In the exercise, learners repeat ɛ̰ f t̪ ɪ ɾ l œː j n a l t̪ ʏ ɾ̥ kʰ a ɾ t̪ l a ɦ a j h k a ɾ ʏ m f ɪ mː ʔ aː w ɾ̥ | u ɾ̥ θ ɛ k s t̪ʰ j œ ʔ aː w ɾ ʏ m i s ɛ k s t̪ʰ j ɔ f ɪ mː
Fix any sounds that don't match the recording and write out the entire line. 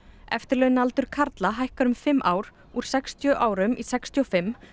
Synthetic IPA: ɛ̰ f t̪ ɪ ɾ l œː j n a l t̪ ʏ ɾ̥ kʰ a ɾ t̪ l a ɦ a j h k a ɾ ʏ m f ɪ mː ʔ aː w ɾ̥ | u ɾ̥ s ɛ k s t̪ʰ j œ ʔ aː w ɾ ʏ m i s ɛ k s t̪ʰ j ɔ f ɪ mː